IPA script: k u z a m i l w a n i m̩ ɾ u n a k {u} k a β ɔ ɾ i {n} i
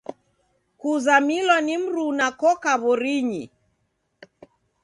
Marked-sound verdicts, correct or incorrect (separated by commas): incorrect, incorrect